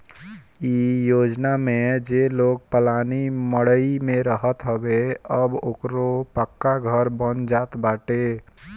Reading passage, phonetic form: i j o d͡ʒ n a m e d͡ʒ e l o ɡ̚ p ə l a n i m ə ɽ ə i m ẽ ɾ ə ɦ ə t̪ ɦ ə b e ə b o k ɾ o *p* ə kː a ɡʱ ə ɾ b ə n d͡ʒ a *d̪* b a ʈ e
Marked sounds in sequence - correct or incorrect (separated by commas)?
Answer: correct, incorrect